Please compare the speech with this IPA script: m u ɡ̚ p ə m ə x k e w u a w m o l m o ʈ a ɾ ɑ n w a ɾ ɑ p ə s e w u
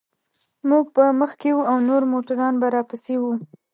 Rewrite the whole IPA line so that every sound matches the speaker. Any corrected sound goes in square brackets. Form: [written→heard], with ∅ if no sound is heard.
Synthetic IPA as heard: m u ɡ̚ p ə m ə x k e w u a w [m→n] o [l→ɾ] m o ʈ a ɾ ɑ n [w→b] a ɾ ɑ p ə s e w u